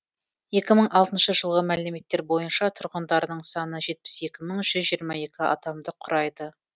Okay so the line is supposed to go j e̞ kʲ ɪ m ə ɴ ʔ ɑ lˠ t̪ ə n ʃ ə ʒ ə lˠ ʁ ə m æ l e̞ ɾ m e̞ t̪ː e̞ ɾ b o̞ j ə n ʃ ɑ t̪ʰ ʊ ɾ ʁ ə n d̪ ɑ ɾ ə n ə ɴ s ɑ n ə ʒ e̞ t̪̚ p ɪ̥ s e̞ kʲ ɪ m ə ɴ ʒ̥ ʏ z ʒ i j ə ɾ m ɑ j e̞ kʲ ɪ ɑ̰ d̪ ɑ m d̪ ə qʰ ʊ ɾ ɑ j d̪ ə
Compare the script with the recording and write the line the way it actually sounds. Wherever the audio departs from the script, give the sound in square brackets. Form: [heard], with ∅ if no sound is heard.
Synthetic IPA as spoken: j e̞ kʲ ɪ m ə ɴ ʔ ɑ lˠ t̪ ə n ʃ ə ʒ ə lˠ ʁ ə m æ l e̞ [∅] m e̞ t̪ː e̞ ɾ b o̞ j ə n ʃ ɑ t̪ʰ ʊ ɾ ʁ ə n d̪ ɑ ɾ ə n ə ɴ s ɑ n ə ʒ e̞ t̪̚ p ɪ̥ s e̞ kʲ ɪ m ə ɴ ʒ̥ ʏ z ʒ i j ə ɾ m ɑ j e̞ kʲ ɪ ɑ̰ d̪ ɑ m d̪ ə qʰ ʊ ɾ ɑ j d̪ ə